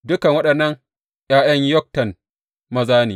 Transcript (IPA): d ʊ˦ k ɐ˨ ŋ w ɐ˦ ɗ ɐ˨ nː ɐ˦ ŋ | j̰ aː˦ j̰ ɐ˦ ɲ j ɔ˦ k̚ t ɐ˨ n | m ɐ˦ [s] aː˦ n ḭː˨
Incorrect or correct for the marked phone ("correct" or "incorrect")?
incorrect